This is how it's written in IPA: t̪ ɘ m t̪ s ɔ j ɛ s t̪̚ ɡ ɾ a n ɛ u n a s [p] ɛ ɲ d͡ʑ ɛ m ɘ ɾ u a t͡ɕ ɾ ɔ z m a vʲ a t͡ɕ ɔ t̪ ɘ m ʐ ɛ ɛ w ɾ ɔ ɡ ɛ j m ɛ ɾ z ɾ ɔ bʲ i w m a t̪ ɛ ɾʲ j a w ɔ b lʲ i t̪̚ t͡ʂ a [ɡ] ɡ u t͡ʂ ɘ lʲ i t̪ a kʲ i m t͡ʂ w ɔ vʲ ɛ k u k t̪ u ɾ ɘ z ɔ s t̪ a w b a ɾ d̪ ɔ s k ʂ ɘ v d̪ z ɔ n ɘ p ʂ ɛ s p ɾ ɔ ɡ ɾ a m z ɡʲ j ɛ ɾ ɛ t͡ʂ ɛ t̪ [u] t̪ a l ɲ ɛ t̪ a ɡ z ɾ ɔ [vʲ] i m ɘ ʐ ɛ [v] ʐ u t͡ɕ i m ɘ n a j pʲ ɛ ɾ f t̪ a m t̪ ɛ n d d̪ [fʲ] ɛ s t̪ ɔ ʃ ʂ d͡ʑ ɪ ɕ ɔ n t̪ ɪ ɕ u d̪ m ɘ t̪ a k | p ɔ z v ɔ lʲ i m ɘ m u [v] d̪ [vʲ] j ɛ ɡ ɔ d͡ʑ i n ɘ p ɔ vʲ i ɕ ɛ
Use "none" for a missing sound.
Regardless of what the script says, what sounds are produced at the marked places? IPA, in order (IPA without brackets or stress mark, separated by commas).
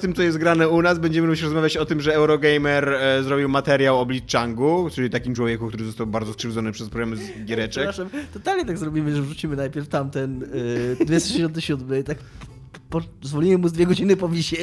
b, ŋ, ɔ, bʲ, v, vʲ, z, vʲ